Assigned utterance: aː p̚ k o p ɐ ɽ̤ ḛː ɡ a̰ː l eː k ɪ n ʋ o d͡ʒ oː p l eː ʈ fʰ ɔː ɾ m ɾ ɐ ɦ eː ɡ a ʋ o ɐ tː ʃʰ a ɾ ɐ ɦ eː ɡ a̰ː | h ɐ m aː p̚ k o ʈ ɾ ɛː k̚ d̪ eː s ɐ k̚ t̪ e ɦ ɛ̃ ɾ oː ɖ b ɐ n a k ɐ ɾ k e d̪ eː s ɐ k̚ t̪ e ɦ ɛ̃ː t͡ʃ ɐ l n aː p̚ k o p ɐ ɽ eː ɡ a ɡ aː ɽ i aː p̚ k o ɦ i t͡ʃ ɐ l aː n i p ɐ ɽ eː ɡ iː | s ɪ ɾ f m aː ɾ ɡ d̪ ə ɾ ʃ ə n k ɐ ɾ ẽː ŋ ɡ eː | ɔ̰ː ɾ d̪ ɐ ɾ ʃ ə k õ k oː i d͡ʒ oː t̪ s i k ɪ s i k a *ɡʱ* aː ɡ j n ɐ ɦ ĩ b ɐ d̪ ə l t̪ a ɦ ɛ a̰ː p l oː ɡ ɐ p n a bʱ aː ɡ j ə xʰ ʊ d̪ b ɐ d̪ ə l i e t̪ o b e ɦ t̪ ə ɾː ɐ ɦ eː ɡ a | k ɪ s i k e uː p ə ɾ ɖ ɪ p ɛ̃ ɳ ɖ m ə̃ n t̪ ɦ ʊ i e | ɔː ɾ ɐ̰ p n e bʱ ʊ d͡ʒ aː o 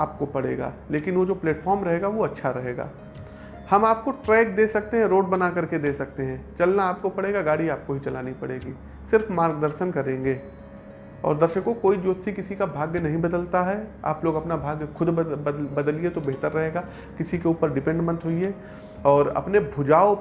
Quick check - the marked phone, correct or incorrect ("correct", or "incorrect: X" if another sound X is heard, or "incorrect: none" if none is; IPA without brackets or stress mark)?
incorrect: bʱ